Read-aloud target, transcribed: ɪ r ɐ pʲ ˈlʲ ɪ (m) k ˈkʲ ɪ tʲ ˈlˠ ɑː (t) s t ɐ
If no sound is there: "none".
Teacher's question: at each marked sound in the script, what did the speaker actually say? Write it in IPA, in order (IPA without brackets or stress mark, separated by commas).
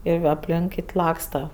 ŋ, k